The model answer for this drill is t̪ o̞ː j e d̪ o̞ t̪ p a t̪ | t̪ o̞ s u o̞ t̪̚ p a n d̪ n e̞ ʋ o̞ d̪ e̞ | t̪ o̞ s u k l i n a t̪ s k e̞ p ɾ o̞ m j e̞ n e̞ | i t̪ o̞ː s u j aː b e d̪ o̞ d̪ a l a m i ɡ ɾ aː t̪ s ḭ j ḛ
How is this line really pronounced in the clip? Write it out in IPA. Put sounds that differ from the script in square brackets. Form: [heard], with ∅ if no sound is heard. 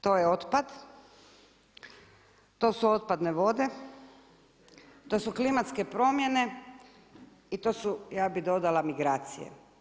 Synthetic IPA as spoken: t̪ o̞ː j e [∅] o̞ t̪ p a [d̪] | t̪ o̞ s u o̞ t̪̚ p a [∅] d̪ n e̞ ʋ o̞ d̪ e̞ | t̪ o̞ s u k l i [m] a t̪ s k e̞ p ɾ o̞ m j e̞ n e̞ | i t̪ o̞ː s u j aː b [i] d̪ o̞ d̪ a l a m i ɡ ɾ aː t̪ s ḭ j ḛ